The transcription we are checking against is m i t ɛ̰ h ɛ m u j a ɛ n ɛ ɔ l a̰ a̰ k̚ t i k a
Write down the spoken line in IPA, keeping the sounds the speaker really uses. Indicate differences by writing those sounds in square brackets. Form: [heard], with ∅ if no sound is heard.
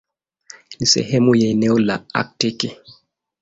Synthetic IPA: [n] i [s] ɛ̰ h ɛ m u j a ɛ n ɛ ɔ l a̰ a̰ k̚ t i k [i]